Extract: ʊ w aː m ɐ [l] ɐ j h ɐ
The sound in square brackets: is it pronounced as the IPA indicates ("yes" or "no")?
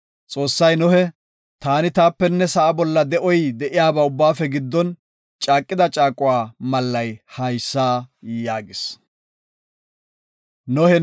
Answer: no